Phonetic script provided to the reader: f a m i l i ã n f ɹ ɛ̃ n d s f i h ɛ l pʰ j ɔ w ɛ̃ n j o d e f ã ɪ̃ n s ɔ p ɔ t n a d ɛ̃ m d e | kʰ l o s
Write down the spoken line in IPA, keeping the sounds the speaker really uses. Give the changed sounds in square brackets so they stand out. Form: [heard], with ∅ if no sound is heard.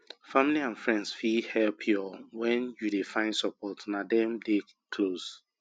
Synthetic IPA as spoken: f a m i l i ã n f ɹ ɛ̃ n d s f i h ɛ l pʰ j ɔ w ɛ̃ n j [u] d e f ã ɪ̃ n s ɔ p ɔ t n a d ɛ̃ m d e | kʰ l o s